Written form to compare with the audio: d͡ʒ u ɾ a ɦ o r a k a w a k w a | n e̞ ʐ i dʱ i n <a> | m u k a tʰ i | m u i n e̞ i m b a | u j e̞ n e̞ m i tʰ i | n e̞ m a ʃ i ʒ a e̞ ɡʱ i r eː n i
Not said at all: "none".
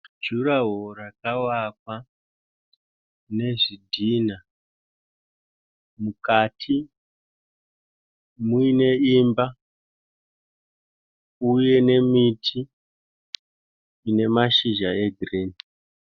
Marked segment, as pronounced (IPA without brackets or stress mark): a